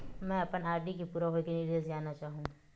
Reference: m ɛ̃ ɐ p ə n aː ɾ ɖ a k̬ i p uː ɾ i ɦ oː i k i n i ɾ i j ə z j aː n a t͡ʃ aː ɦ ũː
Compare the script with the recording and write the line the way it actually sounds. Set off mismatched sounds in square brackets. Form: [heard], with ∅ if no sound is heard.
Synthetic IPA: m ɛ̃ ɐ p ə n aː ɾ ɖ [i] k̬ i p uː ɾ [a] ɦ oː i k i n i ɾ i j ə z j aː n a t͡ʃ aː ɦ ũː